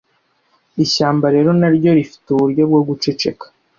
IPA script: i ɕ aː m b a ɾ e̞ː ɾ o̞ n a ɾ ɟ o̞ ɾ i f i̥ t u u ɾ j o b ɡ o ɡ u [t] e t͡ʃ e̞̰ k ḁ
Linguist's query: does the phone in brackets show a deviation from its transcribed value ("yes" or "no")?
yes